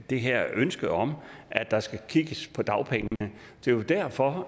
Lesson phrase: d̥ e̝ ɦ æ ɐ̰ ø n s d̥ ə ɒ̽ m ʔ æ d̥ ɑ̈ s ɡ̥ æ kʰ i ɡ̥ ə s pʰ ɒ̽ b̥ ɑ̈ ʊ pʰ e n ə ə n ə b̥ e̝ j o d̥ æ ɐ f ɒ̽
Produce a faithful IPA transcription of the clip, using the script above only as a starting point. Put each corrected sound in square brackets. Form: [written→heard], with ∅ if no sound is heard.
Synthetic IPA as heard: d̥ e̝ ɦ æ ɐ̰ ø n s [d̥→ɡ̥] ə ɒ̽ m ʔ æ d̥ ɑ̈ s ɡ̥ æ kʰ i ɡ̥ ə s pʰ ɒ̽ [b̥→d̥] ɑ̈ ʊ pʰ e [n→ŋ] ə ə n ə [b̥→d̥] e̝ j o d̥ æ ɐ f ɒ̽